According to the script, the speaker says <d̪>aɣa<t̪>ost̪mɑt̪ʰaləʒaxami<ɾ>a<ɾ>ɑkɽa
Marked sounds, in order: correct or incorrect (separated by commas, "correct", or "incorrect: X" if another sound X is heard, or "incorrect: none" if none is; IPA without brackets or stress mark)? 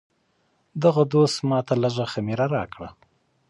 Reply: correct, incorrect: d̪, correct, correct